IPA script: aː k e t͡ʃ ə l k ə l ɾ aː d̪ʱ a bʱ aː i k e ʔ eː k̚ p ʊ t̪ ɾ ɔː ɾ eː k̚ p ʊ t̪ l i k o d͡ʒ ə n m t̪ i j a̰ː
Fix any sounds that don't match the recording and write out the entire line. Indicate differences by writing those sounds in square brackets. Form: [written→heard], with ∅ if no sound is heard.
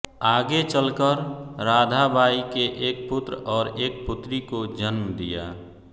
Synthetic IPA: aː [k→ɡ] e t͡ʃ ə l k ə [l→ɾ] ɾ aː d̪ʱ a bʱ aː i k e ʔ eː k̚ p ʊ t̪ ɾ ɔː ɾ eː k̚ p ʊ t̪ [l→ɾ] i k o d͡ʒ ə n m [t̪→d̪] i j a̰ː